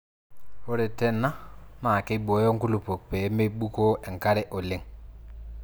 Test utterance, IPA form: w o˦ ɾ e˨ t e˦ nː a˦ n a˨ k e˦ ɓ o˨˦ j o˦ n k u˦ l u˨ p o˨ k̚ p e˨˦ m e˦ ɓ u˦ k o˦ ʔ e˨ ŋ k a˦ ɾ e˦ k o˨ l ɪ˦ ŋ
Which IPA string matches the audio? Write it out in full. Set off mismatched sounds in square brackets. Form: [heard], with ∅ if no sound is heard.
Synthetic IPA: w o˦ ɾ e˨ t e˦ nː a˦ [m] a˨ k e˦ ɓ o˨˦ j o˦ [ŋ] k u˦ l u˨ p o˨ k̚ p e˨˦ m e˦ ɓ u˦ k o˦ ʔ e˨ ŋ k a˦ ɾ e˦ [ʔ] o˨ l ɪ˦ ŋ